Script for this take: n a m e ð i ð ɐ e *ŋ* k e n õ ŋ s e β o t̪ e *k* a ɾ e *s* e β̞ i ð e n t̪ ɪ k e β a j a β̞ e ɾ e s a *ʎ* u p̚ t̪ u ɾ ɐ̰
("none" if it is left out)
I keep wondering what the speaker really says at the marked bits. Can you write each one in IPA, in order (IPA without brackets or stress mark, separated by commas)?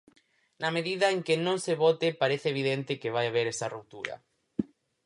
ŋ, p, θ, r